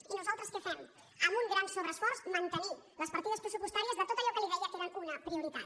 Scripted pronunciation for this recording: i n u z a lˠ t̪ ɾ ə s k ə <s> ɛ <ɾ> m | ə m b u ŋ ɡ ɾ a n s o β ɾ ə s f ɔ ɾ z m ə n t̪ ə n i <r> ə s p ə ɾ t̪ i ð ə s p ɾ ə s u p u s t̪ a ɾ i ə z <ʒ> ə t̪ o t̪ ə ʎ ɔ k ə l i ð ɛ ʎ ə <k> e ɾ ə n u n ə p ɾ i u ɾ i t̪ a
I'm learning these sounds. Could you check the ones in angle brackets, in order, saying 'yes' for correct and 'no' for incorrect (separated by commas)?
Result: no, no, no, no, yes